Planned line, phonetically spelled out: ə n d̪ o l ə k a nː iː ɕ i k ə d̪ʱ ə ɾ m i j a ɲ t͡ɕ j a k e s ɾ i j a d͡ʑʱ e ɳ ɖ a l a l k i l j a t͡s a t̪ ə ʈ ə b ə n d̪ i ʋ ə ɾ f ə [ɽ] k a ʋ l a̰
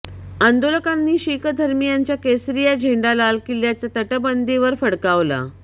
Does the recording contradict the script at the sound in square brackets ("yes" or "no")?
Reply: no